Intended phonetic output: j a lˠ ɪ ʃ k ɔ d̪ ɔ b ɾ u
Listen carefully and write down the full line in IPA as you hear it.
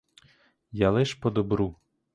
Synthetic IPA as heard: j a lˠ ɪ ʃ p ɔ d̪ ɔ b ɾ u